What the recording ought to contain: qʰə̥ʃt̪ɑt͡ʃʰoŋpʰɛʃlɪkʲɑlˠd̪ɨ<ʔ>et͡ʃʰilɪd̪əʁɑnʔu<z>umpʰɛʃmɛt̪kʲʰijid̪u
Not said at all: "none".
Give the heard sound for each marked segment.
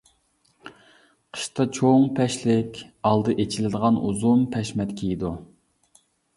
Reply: ʔ, z

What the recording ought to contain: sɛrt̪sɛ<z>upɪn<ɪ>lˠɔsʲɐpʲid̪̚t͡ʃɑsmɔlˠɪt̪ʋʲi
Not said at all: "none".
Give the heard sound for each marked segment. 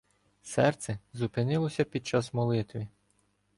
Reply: z, ɪ

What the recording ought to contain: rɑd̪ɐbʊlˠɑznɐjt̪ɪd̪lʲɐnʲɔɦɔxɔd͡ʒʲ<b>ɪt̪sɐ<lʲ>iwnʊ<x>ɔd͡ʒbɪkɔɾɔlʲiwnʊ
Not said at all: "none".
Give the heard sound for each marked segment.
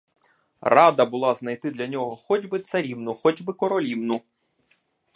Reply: b, ɾʲ, x

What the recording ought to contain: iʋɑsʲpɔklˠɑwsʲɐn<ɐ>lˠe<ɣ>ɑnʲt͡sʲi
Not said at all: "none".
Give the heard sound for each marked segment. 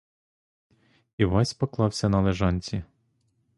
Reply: ɐ, ʒ

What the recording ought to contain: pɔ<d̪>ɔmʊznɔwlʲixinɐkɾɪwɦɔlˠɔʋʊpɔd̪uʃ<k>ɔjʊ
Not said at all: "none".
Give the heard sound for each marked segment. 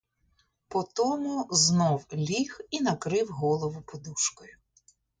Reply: t̪, k

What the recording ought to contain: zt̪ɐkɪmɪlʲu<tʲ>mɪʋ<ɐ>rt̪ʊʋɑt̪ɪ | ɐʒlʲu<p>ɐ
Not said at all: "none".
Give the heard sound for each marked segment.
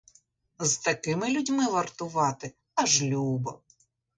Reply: dʲ, ɐ, b

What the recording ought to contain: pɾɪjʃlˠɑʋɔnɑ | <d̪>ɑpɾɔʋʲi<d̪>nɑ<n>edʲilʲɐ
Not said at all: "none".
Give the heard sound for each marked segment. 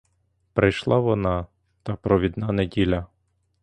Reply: t̪, d̪, n

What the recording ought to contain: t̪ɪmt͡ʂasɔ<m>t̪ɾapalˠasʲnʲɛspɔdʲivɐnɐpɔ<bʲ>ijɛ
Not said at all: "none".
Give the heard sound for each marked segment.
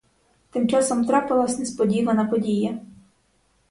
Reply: m, dʲ

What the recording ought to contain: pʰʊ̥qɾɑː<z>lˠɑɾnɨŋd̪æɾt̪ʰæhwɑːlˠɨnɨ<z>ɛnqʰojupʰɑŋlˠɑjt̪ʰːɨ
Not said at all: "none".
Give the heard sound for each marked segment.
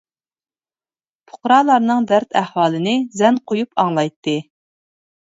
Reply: none, z

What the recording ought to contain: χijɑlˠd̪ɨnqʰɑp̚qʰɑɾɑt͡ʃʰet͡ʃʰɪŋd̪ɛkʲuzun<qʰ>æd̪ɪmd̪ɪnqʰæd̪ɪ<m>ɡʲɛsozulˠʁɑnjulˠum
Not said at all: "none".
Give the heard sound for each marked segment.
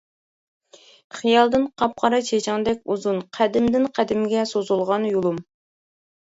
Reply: qʰ, m

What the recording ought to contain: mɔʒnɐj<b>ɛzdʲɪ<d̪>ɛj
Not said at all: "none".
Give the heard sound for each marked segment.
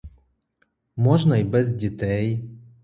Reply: b, t̪

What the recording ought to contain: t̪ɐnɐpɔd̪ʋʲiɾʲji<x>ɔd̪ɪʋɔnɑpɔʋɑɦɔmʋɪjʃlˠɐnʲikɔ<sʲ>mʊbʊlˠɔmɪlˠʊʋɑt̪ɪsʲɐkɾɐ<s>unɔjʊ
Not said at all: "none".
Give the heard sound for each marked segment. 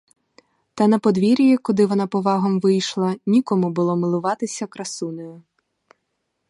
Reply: k, none, s

